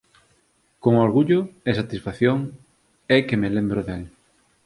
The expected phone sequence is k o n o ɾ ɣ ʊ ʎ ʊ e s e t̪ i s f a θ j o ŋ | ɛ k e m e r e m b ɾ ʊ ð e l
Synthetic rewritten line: k o ŋ o ɾ ɣ u ʎ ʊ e s a t̪ i s f a θ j o ŋ | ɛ k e m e l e m b ɾ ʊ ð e l